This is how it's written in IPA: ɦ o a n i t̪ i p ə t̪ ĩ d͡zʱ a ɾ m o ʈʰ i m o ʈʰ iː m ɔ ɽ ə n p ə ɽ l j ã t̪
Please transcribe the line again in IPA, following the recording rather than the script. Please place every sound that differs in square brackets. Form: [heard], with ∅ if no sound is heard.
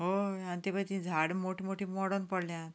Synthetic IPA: ɦ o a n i t̪ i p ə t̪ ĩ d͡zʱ a [ɽ] m o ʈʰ i m o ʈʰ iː m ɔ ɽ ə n p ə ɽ l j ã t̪